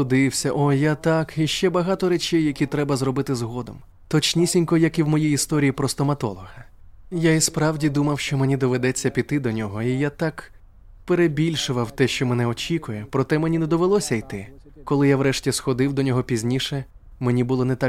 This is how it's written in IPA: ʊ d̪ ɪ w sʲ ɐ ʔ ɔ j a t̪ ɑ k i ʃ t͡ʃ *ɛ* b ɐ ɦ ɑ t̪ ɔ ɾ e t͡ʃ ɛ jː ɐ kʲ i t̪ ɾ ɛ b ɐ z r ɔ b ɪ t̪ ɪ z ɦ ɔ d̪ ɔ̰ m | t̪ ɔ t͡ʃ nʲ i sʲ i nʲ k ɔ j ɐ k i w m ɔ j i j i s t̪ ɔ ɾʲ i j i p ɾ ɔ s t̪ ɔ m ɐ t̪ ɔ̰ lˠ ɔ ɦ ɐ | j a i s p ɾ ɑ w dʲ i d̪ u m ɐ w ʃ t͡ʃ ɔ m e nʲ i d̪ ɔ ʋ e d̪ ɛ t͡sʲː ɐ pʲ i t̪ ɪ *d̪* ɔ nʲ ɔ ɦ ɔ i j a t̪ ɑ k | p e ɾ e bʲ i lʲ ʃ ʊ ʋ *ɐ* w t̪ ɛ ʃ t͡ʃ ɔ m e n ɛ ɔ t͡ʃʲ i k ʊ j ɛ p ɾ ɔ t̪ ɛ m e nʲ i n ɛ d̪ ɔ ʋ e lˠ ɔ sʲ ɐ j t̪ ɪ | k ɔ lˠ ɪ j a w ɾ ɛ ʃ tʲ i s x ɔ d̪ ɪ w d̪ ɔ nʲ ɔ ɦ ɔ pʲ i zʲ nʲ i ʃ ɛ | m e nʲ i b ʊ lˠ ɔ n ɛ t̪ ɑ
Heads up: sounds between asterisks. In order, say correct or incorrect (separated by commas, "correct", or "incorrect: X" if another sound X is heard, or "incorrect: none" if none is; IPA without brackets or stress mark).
correct, correct, correct